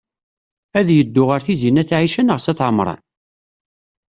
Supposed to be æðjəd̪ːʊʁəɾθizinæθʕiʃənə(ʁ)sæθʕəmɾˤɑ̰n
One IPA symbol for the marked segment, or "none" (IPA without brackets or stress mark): ʁ